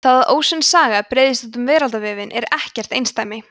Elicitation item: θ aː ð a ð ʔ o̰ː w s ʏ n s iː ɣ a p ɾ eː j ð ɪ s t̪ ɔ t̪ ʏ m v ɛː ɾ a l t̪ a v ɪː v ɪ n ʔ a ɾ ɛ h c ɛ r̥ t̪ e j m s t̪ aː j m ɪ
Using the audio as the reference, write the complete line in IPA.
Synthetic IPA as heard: θ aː ð a ð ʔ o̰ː w s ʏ n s aː ɣ a p ɾ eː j ð ɪ s t̪ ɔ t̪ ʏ m v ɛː ɾ a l t̪ a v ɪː v ɪ n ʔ ɛ ɾ ɛ h c ɛ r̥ t̪ e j n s t̪ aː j m ɪ